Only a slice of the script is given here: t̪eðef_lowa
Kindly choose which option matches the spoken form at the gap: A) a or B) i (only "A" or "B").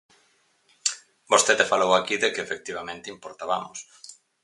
A